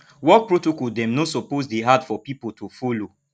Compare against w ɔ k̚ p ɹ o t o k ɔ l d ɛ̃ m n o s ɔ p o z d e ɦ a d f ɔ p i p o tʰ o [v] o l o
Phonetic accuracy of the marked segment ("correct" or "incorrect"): incorrect